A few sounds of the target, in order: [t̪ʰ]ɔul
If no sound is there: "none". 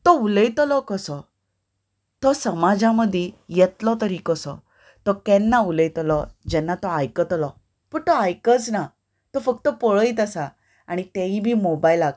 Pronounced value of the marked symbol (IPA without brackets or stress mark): t̪